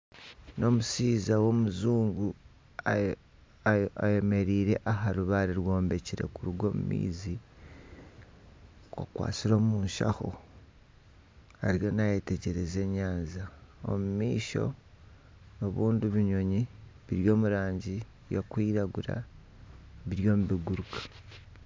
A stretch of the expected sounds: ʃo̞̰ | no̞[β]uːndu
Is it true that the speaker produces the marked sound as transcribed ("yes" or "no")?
yes